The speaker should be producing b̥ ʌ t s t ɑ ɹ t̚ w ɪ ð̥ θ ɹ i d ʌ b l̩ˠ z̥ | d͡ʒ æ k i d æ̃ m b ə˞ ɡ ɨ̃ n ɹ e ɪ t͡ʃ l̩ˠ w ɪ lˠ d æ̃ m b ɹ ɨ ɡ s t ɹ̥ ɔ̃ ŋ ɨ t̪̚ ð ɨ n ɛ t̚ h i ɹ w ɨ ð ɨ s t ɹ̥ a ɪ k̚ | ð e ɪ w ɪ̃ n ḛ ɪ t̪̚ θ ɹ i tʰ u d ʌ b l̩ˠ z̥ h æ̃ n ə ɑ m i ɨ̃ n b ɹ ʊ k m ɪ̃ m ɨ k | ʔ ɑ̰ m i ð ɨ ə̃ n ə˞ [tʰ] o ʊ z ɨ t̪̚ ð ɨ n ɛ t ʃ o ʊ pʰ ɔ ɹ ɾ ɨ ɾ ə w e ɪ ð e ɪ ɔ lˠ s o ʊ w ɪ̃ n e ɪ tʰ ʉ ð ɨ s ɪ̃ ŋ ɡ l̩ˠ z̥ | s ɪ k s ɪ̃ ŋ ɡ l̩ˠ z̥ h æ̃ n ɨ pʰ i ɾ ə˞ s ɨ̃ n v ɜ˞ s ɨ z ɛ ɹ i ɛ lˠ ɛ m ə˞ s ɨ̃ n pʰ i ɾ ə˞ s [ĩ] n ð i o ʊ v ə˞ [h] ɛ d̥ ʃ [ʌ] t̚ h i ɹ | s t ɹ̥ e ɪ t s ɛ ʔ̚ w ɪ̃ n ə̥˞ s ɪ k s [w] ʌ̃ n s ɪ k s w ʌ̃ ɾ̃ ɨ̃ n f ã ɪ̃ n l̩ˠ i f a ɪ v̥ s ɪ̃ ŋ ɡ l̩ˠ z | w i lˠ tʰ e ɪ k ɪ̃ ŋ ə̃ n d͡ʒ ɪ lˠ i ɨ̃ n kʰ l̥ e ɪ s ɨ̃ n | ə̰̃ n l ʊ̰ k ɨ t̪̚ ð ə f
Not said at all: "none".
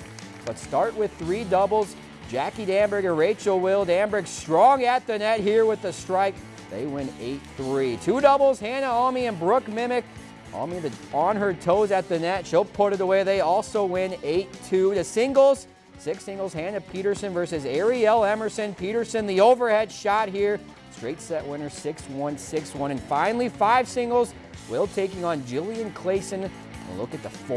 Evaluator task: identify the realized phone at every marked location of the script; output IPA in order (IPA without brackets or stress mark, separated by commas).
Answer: tʰ, ɨ̃, h, ɑ, w